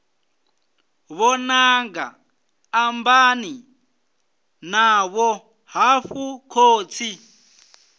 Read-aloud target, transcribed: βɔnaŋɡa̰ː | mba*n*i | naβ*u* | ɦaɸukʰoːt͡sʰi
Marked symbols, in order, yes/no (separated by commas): yes, no